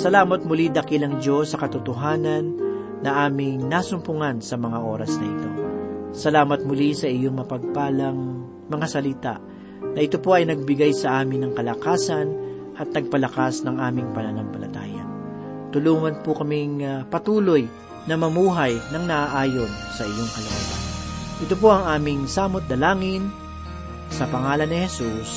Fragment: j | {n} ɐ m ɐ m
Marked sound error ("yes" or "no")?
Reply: no